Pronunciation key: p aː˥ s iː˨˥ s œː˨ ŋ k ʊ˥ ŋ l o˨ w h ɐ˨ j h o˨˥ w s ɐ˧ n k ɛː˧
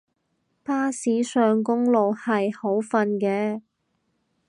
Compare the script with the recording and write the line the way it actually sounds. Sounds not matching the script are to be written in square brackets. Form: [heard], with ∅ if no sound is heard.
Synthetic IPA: p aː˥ s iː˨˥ s œː˨ ŋ k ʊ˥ ŋ l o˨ w h ɐ˨ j h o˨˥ w [f] ɐ˧ n k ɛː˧